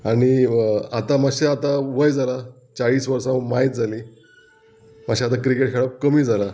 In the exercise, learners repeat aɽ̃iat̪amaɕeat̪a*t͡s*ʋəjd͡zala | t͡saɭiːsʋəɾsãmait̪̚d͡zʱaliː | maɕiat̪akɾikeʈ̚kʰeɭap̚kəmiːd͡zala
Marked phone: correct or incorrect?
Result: incorrect